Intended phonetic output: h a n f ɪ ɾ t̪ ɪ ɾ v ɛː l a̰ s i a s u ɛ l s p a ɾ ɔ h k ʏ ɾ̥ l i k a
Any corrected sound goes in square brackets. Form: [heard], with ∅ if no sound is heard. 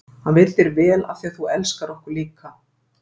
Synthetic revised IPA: h a n [v] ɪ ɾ t̪ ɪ ɾ v ɛː l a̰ [θ] i a [θ] u ɛ l s [k] a ɾ ɔ h k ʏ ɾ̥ l [iː] k a